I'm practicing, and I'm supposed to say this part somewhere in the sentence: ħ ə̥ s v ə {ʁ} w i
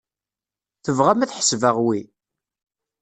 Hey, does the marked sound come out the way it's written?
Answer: yes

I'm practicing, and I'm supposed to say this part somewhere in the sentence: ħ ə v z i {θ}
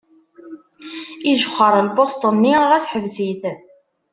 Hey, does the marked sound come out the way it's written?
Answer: yes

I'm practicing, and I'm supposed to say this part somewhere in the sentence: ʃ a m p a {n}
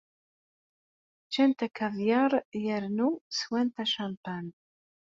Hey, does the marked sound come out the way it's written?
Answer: yes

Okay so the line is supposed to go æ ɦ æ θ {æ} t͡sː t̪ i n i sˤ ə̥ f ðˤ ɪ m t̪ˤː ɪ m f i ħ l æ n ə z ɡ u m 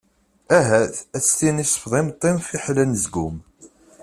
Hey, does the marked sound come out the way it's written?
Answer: yes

